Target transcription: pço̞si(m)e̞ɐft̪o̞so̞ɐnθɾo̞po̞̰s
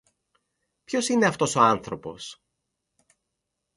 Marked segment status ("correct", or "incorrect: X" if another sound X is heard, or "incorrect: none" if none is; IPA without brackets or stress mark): incorrect: n